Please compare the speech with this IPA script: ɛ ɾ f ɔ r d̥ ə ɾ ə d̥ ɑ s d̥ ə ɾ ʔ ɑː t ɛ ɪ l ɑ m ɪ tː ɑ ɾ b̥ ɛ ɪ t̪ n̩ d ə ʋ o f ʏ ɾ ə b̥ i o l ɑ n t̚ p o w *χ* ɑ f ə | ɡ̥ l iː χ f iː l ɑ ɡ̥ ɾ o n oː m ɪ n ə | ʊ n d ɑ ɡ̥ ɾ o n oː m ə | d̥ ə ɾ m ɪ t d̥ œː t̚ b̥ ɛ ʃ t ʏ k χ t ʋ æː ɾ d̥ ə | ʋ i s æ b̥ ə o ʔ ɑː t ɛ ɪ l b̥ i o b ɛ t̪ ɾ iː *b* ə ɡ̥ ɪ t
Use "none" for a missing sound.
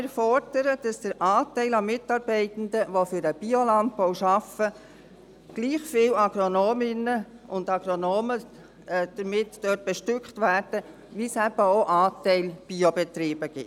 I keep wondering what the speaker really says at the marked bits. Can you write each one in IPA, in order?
ʃ, b

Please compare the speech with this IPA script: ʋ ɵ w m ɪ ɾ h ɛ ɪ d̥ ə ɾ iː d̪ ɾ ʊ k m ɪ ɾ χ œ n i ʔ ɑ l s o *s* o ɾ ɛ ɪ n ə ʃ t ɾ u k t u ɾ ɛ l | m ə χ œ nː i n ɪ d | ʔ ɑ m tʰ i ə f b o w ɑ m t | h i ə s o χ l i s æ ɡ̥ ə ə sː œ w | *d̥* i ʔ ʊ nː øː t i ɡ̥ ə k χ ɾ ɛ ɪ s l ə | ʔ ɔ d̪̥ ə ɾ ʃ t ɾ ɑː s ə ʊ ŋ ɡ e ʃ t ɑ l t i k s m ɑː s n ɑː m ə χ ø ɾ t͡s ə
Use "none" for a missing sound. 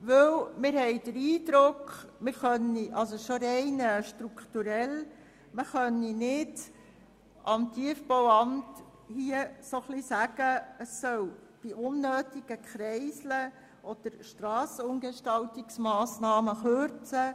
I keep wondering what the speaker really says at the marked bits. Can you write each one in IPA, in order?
ʃ, b̥

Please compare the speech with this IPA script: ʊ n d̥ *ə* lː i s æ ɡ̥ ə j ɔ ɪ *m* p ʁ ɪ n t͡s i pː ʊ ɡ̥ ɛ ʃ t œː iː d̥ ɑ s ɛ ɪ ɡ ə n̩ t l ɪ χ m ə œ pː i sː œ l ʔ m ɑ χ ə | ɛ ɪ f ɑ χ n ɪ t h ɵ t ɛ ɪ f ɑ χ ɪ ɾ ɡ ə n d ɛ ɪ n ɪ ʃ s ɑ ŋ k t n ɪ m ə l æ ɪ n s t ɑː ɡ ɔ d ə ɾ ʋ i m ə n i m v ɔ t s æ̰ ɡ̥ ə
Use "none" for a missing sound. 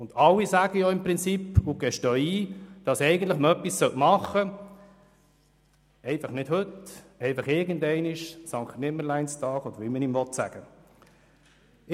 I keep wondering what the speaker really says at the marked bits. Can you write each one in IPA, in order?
ɑ, m

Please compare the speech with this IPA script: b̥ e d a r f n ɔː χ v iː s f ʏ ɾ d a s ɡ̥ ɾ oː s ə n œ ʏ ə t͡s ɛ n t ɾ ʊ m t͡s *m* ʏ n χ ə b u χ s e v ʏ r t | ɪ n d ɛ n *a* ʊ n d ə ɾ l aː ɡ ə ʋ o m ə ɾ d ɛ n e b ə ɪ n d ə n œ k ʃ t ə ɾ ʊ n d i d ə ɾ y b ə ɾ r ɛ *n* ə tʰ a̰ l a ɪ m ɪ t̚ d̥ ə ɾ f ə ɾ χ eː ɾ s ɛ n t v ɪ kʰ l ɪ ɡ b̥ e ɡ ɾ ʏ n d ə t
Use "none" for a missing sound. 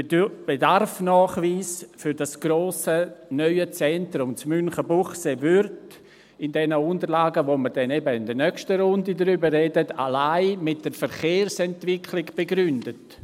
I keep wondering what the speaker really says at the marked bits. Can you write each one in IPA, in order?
m, ə, d

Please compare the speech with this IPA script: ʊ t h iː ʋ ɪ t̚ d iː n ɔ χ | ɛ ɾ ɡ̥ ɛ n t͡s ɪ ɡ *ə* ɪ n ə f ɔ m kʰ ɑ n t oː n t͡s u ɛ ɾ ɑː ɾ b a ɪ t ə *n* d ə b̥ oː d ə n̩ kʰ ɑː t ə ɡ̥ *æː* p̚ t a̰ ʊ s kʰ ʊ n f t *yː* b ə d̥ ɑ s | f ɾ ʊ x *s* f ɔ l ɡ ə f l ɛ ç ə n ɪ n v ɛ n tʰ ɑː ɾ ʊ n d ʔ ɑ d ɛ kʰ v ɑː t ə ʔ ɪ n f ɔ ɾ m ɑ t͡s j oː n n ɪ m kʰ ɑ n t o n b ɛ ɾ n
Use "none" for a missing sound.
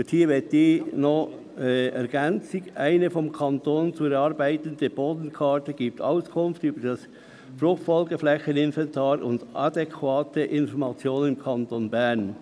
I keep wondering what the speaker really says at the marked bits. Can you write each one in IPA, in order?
a, n, iː, yː, t

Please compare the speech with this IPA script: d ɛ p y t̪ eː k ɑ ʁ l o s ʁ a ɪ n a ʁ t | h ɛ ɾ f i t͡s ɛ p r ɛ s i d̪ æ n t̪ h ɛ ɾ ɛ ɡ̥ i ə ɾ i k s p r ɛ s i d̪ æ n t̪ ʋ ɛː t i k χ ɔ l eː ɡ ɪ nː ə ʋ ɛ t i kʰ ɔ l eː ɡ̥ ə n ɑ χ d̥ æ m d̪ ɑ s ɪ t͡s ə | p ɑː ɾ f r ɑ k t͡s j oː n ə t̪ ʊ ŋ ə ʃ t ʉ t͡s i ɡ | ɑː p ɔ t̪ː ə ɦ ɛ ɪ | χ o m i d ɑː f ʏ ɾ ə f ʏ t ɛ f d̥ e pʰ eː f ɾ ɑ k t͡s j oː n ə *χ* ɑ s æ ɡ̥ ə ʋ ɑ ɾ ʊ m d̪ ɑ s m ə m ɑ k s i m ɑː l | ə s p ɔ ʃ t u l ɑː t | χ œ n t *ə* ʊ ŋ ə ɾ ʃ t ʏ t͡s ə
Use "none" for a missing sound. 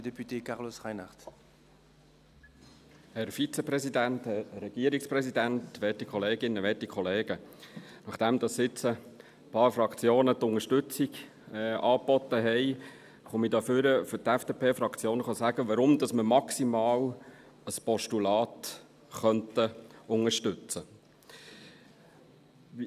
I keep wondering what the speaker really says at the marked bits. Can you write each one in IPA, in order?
χ, ə

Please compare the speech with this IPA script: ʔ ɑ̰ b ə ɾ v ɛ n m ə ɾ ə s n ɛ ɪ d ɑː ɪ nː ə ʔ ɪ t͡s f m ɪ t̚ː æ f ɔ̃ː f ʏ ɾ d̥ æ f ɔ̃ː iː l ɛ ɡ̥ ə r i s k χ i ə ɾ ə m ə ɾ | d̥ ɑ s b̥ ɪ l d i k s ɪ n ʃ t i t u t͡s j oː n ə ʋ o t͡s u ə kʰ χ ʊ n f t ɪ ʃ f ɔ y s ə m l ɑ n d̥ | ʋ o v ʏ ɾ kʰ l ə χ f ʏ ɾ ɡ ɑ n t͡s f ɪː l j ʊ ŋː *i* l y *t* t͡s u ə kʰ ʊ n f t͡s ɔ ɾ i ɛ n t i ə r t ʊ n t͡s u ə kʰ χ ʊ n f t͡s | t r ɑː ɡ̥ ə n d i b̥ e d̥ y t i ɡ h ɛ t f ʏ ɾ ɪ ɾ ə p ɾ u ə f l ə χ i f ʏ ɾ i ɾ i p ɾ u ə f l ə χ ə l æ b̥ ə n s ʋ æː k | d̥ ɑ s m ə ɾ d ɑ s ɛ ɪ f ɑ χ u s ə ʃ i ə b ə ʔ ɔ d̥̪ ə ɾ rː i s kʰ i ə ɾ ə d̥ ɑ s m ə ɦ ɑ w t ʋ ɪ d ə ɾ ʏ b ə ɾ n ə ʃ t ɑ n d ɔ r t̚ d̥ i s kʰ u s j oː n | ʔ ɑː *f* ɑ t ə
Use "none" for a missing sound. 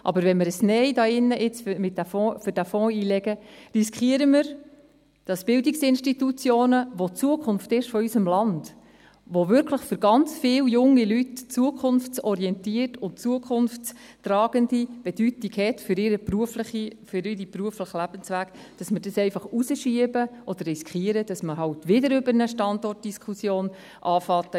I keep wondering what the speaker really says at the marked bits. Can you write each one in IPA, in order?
i, t, f

